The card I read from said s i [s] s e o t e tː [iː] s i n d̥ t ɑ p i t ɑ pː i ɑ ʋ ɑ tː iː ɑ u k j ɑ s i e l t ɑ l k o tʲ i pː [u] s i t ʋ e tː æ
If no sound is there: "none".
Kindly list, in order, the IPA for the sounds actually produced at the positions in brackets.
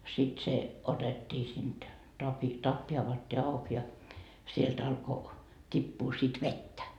t, iː, uː

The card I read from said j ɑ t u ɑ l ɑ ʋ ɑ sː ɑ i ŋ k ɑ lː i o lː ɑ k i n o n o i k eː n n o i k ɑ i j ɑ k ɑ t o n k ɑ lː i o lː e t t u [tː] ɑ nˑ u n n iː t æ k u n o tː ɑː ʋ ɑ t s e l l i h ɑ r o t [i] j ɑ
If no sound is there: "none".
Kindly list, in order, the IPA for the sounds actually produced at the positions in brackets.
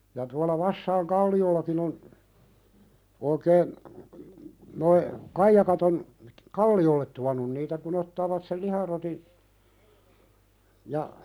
none, i

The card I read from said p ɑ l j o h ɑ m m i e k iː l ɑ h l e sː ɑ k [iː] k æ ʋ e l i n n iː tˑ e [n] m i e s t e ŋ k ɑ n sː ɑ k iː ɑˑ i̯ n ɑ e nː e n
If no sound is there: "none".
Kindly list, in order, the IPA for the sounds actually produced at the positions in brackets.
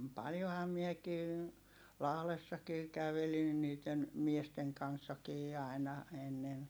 iː, n

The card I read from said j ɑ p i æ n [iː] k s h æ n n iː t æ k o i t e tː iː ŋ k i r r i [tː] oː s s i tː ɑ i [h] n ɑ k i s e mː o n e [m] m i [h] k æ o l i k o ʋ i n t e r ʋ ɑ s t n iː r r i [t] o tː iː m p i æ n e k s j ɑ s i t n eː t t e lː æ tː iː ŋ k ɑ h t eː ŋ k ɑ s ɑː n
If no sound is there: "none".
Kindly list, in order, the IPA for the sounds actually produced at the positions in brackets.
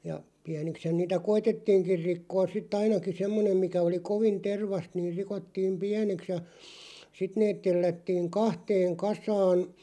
i, kː, none, m, none, k

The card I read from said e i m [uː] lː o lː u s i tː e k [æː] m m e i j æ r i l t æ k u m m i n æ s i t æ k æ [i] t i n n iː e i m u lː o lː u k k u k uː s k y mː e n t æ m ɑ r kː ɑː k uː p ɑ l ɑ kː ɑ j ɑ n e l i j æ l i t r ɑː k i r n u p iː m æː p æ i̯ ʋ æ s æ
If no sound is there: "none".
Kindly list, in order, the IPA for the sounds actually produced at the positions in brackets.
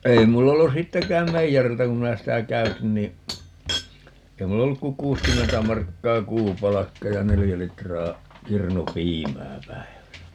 u, æː, y

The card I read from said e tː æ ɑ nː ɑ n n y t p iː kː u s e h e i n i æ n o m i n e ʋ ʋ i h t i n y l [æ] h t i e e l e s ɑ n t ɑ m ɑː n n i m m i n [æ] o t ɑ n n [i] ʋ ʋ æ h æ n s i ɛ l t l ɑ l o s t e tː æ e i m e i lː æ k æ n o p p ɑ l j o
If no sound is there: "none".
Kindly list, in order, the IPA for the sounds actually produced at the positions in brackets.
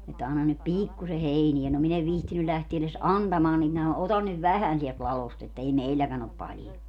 æ, æ, y

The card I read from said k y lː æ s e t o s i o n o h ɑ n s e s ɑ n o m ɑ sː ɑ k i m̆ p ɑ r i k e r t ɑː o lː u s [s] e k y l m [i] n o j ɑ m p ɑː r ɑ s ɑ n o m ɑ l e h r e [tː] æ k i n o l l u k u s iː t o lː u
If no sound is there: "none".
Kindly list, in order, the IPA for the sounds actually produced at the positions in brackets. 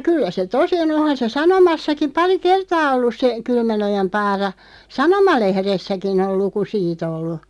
s, æ, sː

